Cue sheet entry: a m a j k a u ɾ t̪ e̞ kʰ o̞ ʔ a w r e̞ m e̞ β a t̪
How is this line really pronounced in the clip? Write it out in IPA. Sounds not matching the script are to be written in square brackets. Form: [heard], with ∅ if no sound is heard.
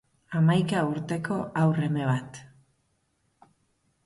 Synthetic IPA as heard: a m a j k a u ɾ t̪ e̞ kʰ o̞ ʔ a w r e̞ m e̞ β a t̪